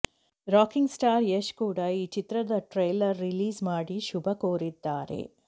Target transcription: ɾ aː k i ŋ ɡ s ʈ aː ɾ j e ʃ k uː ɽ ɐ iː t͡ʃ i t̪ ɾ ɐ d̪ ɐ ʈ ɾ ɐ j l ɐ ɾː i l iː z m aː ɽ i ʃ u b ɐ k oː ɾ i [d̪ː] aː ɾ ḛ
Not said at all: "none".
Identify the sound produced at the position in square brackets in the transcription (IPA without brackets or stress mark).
d̪ː